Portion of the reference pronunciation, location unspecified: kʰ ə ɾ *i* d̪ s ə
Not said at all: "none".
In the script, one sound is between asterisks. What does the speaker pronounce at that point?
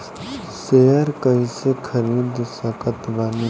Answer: iː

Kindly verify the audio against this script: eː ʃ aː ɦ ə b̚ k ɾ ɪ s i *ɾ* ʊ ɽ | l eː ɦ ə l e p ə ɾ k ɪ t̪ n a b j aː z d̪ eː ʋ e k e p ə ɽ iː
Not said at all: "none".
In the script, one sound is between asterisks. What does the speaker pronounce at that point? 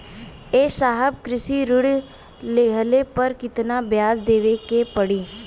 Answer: ɾ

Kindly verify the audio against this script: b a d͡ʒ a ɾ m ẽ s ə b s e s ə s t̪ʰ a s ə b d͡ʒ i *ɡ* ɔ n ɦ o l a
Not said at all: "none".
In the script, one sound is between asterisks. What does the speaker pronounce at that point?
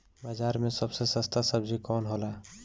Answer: k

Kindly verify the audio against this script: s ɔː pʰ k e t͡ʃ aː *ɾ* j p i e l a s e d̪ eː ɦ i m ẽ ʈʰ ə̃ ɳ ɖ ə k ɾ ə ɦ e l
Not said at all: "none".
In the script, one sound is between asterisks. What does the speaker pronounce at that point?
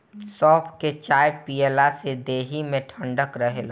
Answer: none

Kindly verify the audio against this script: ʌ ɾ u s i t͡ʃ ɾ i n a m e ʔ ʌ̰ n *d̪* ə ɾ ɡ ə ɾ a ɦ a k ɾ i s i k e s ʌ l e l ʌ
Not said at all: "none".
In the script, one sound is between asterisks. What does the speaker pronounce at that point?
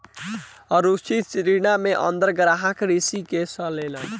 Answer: d̪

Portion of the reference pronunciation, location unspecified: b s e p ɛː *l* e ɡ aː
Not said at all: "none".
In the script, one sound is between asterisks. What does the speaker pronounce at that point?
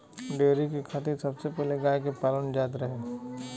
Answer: l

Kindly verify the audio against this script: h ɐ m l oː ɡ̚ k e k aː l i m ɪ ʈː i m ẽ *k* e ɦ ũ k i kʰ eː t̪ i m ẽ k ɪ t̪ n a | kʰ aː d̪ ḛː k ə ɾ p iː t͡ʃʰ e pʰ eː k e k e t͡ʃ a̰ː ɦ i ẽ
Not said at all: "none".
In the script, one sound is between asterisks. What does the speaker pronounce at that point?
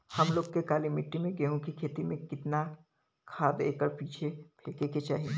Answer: ɡ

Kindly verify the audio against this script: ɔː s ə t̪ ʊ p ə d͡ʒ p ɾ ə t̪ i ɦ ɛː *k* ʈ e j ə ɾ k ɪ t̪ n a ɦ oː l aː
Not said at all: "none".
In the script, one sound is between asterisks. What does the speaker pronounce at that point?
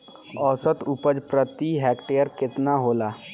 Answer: k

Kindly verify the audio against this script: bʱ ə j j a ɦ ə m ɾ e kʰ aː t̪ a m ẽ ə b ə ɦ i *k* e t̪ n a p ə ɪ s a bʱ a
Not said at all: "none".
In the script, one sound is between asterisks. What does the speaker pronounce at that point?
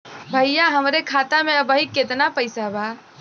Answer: k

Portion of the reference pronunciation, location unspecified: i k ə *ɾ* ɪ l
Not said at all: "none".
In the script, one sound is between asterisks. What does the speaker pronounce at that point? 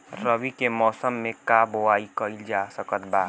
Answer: none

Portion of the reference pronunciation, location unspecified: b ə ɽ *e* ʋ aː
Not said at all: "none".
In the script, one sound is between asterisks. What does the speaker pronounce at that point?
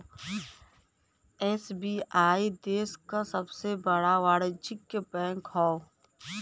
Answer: a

